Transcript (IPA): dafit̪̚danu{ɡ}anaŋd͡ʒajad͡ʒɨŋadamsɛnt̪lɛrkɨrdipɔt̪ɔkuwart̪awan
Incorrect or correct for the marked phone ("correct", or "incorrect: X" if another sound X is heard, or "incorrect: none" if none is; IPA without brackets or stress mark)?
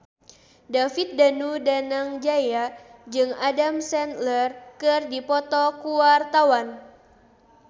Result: incorrect: d